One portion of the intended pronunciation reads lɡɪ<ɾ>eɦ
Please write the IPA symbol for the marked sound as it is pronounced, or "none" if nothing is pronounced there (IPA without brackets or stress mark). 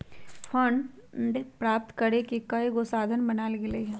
l